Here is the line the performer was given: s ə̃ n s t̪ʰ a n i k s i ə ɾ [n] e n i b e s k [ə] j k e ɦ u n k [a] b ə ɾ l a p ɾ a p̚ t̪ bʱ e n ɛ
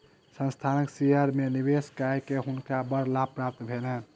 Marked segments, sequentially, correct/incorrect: incorrect: m, incorrect: a, correct

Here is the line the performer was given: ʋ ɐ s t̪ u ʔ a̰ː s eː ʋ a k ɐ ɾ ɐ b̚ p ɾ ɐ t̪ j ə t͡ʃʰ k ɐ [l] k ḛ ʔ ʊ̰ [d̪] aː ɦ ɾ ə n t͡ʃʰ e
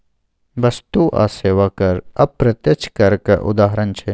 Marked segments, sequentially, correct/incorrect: incorrect: ɾ, correct

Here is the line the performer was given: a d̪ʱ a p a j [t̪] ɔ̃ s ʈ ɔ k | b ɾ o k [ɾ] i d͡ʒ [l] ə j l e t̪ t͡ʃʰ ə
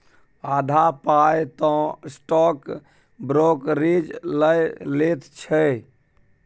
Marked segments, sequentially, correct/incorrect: correct, correct, correct

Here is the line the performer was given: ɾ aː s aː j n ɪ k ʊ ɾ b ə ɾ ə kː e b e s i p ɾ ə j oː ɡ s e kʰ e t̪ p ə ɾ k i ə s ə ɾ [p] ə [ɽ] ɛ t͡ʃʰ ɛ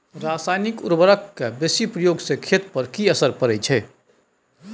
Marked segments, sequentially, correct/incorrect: correct, incorrect: ɾ

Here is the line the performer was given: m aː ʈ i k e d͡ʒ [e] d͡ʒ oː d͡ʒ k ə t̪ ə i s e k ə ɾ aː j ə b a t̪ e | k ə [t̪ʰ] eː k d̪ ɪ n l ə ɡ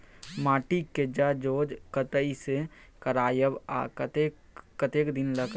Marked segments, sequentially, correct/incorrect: incorrect: a, incorrect: t̪

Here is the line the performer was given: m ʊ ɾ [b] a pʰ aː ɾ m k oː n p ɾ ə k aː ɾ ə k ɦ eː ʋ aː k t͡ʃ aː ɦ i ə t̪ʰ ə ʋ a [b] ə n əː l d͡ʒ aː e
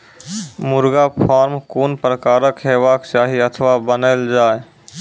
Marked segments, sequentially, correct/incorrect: incorrect: ɡ, correct

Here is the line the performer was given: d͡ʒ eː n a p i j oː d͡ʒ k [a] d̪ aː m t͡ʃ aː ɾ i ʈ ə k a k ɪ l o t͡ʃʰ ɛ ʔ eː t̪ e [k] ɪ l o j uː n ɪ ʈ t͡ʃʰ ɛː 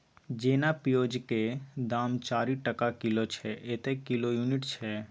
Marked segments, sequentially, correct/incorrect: incorrect: e, correct

